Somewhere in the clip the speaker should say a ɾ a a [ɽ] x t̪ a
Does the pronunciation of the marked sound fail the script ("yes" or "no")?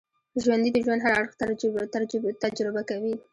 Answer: no